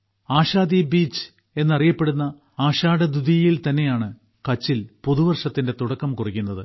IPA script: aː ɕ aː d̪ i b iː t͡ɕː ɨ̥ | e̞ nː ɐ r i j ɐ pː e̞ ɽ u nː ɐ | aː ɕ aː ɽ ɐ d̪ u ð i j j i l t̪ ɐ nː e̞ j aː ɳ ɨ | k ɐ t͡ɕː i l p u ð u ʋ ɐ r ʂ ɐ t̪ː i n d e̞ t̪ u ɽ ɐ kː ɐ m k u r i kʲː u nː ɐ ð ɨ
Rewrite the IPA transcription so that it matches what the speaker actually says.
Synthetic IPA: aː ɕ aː d̪ i b iː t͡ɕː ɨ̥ | e̞ nː ɐ r i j ɐ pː e̞ ɽ u nː ɐ | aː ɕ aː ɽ ɐ d̪ u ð i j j i l t̪ ɐ nː e̞ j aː ɳ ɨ | k ɐ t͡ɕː i l p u ð u ʋ ɐ r ʂ ɐ t̪ː i n d e̞ t̪ u ɽ ɐ kː ɐ m k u r i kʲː u nː ɐ ð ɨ